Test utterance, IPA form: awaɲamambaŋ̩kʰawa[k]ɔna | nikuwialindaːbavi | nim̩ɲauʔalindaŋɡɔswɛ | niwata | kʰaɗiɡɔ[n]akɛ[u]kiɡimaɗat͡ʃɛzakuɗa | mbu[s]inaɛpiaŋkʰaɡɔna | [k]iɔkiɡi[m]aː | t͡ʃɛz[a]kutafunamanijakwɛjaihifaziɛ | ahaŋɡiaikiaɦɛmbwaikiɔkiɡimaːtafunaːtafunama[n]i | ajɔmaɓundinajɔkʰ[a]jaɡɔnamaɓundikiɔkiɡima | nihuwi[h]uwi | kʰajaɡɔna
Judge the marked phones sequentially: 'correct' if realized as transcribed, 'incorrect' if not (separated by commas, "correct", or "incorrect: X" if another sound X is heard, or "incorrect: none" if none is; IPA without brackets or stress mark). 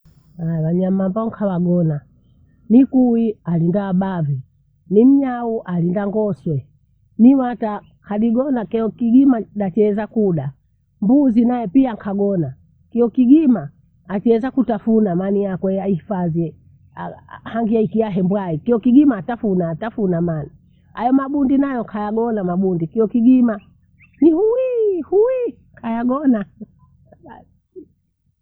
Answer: incorrect: ɡ, correct, incorrect: ɔ, incorrect: z, correct, correct, correct, correct, correct, correct